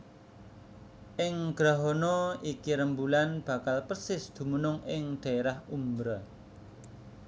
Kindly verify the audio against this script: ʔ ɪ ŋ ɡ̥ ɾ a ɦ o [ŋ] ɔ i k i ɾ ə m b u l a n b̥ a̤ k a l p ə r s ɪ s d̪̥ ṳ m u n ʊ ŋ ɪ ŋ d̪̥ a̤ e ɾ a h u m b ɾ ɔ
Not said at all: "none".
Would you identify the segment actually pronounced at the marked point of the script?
n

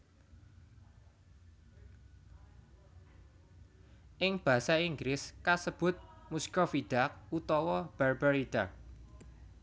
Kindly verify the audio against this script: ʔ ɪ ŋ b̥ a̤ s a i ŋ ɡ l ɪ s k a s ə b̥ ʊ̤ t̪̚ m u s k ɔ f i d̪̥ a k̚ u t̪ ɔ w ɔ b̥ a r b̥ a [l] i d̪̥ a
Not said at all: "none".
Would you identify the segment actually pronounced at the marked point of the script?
ɾ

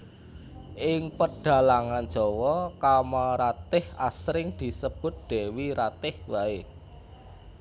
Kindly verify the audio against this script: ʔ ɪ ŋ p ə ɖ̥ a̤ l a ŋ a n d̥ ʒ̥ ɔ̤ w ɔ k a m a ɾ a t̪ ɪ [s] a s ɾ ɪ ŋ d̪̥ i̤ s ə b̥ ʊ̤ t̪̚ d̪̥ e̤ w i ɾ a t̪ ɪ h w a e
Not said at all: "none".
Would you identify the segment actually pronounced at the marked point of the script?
h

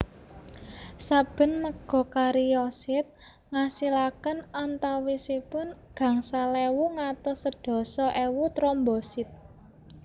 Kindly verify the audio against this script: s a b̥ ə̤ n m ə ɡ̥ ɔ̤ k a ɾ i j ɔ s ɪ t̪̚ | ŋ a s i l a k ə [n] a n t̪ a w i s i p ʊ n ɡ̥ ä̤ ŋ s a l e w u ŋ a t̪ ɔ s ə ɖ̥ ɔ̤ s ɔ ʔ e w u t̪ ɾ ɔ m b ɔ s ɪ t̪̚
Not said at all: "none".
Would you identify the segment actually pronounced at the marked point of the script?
n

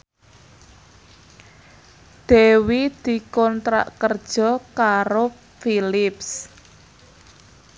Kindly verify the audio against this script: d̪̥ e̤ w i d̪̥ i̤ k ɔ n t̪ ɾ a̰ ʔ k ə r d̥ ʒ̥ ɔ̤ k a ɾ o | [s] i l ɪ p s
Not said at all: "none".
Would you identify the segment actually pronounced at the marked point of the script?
f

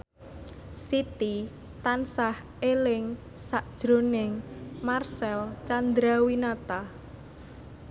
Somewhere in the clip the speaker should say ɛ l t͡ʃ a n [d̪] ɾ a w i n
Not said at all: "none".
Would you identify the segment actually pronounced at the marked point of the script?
d̪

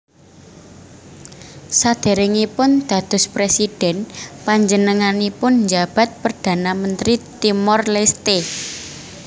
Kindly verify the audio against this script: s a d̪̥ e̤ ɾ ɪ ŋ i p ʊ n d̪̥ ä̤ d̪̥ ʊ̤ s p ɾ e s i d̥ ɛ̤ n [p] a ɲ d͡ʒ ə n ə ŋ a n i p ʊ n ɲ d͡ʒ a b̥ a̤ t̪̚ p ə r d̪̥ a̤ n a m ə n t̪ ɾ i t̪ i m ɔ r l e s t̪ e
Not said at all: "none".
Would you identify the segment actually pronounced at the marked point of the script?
p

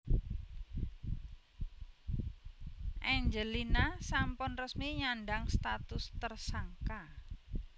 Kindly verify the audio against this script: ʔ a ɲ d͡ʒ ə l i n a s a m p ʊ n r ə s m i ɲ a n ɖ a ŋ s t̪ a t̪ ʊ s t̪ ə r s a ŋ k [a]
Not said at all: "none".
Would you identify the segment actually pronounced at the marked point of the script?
a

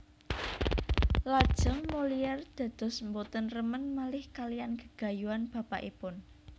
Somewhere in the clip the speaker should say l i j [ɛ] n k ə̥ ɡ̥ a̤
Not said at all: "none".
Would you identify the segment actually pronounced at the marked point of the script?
a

